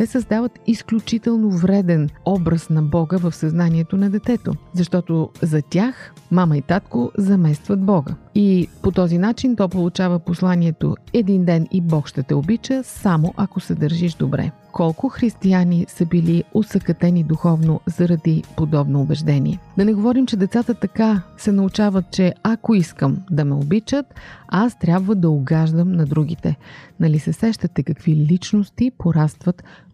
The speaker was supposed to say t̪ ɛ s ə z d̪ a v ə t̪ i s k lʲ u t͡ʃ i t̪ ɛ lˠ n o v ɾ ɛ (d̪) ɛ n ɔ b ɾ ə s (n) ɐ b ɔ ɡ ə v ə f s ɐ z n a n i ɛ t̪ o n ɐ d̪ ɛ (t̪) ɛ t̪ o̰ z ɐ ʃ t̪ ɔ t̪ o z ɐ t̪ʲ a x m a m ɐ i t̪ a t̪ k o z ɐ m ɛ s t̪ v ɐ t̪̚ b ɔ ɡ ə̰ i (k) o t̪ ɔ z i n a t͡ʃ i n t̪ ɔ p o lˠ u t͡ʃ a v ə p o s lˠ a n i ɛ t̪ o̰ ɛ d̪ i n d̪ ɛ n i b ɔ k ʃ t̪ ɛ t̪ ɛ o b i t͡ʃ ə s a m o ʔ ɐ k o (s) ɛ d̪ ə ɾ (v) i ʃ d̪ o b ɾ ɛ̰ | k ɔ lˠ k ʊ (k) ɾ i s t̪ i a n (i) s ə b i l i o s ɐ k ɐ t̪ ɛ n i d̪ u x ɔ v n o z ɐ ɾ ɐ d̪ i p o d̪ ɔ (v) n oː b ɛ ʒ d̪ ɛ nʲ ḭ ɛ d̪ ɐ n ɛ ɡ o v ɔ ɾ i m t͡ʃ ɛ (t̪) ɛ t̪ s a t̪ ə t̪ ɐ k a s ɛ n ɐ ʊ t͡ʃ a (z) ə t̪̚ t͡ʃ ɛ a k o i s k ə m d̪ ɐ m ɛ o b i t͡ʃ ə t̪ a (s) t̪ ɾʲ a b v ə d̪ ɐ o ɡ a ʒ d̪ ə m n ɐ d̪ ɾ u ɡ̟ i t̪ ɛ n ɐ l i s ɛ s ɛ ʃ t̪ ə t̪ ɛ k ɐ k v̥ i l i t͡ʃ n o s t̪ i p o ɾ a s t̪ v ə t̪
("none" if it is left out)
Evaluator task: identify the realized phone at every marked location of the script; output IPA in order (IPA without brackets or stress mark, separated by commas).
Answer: d̪, n, t̪, p, s, ʒ, x, i, b, d̪, v, s